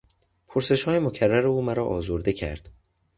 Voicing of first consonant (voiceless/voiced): voiceless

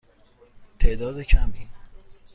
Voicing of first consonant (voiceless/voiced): voiceless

